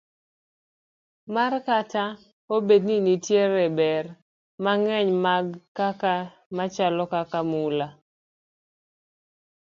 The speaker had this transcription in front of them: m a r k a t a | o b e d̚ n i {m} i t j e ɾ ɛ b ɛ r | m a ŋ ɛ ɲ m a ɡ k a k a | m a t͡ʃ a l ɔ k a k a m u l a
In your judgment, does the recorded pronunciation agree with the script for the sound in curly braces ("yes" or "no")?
no